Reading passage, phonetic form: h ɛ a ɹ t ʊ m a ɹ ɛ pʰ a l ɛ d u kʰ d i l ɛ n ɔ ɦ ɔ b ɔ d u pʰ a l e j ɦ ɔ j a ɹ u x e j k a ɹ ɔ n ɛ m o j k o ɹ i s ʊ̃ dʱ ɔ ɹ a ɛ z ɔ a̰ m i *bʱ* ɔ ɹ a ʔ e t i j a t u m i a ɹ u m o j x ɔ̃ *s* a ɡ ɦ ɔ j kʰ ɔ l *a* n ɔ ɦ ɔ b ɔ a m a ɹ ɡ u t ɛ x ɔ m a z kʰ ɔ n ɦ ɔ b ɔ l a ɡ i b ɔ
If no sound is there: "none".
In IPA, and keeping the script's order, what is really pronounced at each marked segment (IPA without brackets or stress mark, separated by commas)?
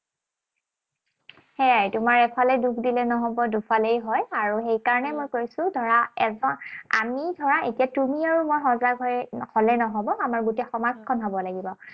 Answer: dʱ, z, ɛ